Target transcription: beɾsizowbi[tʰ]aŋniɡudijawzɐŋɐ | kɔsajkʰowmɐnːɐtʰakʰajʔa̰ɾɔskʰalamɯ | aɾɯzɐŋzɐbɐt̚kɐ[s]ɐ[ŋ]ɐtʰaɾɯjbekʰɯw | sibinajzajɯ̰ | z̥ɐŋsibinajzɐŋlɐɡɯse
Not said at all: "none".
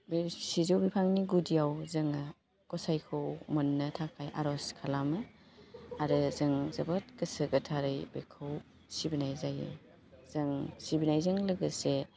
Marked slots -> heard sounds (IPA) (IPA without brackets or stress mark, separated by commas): pʰ, s, ɡ